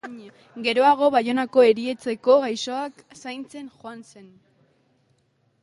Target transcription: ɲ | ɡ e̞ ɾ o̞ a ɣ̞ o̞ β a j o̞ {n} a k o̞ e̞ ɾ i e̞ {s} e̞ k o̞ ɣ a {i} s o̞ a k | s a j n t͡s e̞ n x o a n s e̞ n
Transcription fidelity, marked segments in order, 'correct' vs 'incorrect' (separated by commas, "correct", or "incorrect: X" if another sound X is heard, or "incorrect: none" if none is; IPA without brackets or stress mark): correct, incorrect: t͡s, incorrect: j